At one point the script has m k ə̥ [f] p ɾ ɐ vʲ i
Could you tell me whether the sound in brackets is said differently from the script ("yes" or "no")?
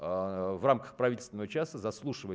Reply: yes